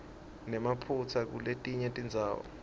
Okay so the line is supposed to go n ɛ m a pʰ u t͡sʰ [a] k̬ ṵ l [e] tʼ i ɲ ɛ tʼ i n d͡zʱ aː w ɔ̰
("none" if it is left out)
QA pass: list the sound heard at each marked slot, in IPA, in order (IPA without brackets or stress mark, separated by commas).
a, e